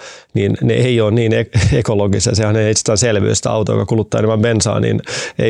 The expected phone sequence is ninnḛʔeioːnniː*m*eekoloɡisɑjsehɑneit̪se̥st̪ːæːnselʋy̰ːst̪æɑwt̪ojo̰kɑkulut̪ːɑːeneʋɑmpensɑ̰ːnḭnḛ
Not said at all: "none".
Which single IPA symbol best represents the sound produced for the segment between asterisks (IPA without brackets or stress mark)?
n